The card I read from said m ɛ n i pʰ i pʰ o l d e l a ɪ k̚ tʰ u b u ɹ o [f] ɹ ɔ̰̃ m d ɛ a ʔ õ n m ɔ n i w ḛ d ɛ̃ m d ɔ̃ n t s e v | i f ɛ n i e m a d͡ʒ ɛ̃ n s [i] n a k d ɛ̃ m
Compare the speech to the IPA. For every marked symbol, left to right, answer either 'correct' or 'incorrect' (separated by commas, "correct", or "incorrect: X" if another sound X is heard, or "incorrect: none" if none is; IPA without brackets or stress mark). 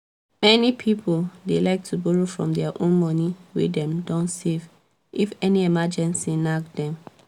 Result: correct, correct